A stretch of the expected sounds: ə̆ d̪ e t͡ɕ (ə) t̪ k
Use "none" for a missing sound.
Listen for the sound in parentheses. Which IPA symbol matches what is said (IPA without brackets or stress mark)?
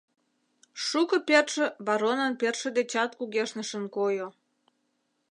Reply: ɑ